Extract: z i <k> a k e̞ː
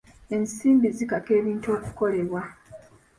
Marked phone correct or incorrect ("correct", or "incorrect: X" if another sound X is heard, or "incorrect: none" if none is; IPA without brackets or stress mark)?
correct